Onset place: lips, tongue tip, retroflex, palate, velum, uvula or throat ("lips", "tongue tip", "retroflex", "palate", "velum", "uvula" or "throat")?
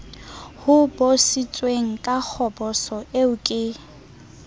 throat